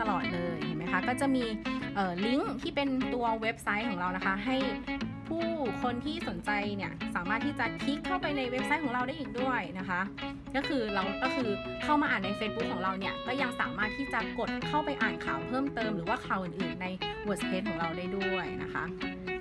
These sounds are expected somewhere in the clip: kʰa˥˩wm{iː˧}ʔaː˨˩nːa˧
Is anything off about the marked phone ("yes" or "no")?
yes